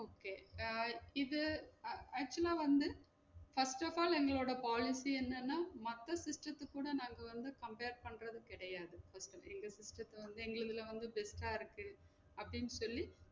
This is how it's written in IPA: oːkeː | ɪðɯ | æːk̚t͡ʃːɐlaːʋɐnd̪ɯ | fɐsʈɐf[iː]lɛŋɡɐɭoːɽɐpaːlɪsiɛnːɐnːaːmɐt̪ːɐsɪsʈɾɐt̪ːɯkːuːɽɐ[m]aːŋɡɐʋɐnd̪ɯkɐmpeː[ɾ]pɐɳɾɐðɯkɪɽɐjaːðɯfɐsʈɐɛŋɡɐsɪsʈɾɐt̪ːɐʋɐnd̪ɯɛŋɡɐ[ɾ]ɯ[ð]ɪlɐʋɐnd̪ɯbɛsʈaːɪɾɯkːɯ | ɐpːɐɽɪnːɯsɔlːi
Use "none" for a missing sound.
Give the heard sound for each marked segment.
aː, n, ɾ, ɭ, ð

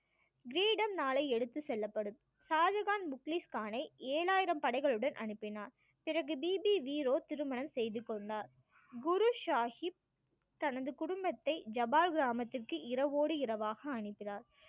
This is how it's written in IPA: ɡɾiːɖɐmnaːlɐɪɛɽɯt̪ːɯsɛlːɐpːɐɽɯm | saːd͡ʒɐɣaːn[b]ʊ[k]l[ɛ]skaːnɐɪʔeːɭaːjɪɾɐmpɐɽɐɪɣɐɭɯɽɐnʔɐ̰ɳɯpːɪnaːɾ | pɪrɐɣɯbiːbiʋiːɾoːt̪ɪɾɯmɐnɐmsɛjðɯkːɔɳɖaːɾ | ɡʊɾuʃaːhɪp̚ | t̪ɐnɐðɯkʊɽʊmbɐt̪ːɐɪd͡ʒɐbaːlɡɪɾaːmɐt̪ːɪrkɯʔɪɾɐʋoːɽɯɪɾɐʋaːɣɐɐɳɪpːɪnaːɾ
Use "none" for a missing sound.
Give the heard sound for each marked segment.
m, k, i

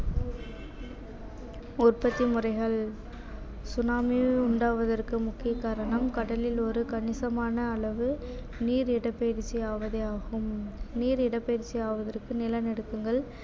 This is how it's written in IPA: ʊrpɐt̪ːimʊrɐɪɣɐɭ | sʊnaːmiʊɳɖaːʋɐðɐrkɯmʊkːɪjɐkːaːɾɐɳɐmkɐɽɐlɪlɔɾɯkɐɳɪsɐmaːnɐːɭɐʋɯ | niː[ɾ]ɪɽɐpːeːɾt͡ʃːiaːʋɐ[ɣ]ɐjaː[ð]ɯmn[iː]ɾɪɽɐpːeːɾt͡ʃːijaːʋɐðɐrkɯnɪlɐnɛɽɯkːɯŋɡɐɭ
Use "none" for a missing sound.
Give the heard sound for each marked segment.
ɾ, ð, ɣ, iː

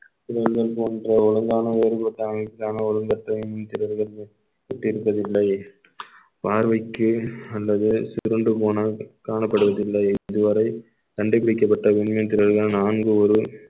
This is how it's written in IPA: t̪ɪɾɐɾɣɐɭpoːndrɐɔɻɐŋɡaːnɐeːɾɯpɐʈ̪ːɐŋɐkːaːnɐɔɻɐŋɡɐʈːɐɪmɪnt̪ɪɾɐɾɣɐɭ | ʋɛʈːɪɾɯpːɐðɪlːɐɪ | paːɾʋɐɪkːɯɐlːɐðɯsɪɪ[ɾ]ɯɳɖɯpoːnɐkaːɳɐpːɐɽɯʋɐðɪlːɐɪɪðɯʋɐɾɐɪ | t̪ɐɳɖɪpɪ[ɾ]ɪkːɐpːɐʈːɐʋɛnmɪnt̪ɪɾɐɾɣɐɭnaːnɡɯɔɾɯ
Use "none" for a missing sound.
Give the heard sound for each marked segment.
ɾ, ɽ

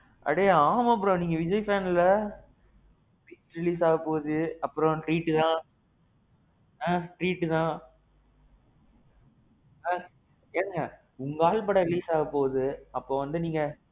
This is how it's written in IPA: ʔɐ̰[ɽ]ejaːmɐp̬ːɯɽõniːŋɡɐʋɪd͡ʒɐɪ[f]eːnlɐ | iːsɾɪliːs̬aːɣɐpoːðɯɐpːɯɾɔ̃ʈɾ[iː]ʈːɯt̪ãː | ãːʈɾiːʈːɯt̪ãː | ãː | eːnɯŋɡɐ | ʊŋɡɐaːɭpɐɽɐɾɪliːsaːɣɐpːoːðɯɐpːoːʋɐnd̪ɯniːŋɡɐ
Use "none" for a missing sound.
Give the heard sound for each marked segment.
ɽ, f, iː

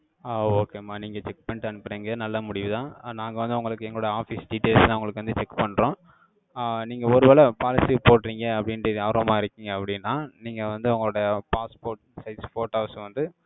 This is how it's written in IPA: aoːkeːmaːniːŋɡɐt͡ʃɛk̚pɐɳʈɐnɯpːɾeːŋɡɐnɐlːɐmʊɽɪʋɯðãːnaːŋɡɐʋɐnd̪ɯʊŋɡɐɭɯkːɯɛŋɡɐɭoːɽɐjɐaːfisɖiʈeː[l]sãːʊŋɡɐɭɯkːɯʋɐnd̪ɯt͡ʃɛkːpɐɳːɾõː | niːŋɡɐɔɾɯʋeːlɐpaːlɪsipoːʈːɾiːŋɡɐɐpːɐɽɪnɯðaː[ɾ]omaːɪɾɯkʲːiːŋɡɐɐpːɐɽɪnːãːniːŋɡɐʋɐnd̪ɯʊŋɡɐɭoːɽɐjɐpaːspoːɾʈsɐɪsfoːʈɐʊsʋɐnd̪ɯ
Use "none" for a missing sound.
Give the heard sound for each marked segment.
l, ɾ

